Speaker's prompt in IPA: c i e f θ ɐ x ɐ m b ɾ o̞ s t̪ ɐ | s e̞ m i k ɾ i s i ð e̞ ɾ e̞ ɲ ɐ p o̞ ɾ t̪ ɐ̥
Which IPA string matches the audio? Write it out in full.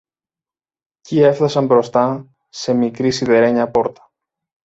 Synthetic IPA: c i e f θ ɐ s ɐ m b ɾ o̞ s t̪ ɐ | s e̞ m i k ɾ i s i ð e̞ ɾ e̞ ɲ ɐ p o̞ ɾ t̪ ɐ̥

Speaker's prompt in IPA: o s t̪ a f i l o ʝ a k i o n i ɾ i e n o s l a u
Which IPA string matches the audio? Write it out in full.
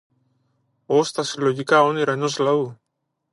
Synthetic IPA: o s t̪ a s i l o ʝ i k a o n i ɾ a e n o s l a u

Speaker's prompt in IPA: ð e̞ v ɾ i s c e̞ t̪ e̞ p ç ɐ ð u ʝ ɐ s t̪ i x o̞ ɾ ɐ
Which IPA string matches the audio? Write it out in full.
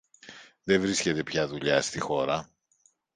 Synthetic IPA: ð e̞ v ɾ i s c e̞ t̪ e̞ p ç ɐ ð u ʎ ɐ s t̪ i x o̞ ɾ ɐ

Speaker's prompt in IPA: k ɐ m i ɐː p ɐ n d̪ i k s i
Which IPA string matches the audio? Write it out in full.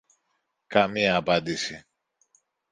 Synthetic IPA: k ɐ m i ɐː p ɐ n d̪ i s i

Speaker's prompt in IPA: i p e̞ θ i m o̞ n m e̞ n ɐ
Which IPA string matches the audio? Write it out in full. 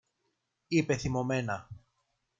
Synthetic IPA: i p e̞ θ i m o̞ m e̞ n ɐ

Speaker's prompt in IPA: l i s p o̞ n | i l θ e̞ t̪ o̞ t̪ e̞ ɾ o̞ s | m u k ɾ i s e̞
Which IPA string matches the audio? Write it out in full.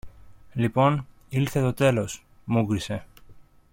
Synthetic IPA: l i p o̞ n | i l θ e̞ t̪ o̞ t̪ e̞ l o̞ s | m u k ɾ i s e̞

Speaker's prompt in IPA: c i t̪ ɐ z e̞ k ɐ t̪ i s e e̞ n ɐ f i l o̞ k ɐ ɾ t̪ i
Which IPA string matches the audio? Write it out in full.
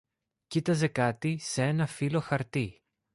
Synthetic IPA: c i t̪ ɐ z e̞ k ɐ t̪ i s e e̞ n ɐ f i l o̞ x ɐ ɾ t̪ i

